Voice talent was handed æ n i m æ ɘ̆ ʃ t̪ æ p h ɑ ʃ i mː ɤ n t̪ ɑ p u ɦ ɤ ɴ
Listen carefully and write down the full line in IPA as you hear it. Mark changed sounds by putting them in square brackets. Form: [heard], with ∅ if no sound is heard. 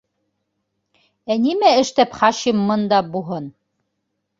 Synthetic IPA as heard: æ n i m æ ɘ̆ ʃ t̪ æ p [χ] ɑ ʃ i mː ɤ n [d̪] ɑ [b] u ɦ ɤ [n]

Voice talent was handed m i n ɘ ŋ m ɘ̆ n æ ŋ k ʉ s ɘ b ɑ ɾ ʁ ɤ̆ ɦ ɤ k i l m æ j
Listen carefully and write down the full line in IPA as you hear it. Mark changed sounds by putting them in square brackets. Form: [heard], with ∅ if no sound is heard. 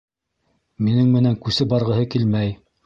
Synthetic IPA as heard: m i n ɘ ŋ m ɘ̆ n æ ŋ k ʉ s ɘ b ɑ ɾ ʁ ɤ̆ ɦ ɤ k i l m æ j

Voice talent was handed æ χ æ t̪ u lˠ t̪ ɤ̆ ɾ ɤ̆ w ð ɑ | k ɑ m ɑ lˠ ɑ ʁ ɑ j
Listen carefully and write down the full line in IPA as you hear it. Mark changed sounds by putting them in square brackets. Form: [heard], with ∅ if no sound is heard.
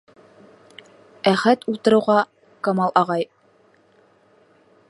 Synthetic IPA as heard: æ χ æ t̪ u lˠ t̪ ɤ̆ ɾ ɤ̆ w [ʁ] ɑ | k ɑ m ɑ lˠ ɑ ʁ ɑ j

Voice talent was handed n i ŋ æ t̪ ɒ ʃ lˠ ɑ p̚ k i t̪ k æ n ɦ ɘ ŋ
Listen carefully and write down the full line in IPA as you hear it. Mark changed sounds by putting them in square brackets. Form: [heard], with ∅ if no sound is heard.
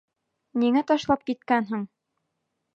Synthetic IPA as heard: n i ŋ æ t̪ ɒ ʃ lˠ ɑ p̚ k i t̪ k æ n ɦ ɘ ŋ

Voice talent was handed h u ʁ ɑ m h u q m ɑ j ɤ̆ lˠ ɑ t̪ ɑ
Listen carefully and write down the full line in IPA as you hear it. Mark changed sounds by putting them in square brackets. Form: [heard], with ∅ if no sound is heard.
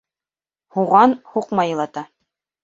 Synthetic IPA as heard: h u ʁ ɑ [n] h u q m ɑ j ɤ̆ lˠ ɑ t̪ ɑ

